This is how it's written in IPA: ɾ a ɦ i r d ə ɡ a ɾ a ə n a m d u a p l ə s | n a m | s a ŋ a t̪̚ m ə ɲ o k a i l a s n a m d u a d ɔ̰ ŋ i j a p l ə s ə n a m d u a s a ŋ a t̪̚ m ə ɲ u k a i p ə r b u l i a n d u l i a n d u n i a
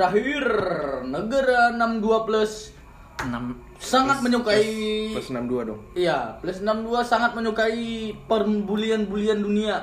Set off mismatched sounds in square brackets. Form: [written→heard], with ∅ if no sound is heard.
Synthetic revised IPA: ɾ a ɦ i r [d→n] ə ɡ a ɾ a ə n a m d u a p l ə s | n a m | s a ŋ a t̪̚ m ə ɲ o k a i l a s n a m d u a d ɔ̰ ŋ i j a p l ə s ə n a m d u a s a ŋ a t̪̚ m ə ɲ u k a i p ə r b u l i a n [d→b] u l i a n d u n i a